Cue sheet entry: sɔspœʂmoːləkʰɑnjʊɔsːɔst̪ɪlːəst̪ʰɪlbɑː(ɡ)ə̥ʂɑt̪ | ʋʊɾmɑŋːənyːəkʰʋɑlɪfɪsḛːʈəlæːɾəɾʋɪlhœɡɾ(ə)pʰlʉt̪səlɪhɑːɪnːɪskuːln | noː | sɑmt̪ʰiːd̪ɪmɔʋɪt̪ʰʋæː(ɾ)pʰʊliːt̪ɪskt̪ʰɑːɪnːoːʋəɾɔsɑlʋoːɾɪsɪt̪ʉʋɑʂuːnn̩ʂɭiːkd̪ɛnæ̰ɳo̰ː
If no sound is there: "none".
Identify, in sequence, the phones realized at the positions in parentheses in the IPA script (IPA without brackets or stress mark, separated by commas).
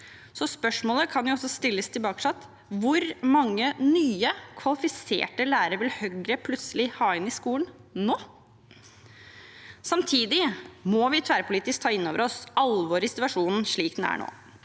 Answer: k, ə, ɾ